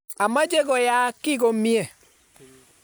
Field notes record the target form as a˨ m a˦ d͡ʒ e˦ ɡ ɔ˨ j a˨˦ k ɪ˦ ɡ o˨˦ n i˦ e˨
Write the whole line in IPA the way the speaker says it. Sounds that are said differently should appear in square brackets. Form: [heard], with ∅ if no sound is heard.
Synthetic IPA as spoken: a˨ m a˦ d͡ʒ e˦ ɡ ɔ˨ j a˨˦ k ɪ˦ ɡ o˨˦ [m] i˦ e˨